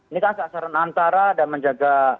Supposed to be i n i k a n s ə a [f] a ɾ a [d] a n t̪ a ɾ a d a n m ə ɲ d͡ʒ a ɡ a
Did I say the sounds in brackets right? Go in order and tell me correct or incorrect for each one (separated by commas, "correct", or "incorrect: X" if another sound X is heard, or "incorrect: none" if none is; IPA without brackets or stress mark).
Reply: incorrect: s, incorrect: n